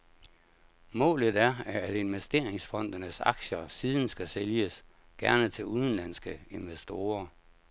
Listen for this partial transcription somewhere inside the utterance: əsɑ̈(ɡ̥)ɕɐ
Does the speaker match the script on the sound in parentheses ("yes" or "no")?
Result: yes